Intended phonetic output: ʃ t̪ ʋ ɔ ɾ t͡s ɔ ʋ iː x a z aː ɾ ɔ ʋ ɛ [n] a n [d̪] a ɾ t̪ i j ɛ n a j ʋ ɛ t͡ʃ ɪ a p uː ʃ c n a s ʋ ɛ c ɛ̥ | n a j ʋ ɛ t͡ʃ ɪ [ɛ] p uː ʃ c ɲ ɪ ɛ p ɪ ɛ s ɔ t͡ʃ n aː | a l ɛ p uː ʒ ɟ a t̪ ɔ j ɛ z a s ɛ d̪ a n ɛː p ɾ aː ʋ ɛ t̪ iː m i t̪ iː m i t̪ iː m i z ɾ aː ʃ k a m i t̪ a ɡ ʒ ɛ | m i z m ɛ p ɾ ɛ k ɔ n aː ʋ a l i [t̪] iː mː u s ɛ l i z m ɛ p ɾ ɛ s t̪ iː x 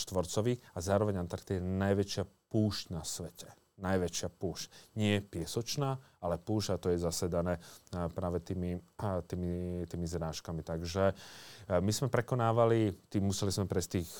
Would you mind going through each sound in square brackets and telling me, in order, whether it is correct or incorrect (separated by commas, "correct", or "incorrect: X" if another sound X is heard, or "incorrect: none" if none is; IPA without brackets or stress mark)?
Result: incorrect: ɲ, incorrect: t̪, incorrect: a, correct